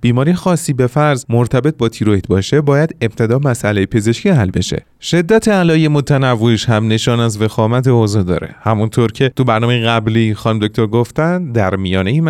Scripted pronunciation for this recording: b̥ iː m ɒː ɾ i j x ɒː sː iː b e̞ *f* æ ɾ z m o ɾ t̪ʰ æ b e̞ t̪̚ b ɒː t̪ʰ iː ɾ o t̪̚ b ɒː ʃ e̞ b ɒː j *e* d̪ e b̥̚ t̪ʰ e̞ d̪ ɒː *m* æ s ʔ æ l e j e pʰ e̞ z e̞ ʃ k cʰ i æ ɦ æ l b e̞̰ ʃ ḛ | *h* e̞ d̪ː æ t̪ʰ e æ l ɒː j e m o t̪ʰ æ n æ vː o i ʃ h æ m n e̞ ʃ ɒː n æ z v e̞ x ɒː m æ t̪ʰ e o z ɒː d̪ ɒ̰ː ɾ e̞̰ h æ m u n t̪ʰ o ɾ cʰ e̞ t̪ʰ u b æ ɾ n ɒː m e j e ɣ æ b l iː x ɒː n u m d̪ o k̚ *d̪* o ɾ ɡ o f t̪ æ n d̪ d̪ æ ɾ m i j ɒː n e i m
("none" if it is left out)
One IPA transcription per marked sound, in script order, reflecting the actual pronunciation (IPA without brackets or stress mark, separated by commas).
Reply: f, æ, m, ʃ, t̪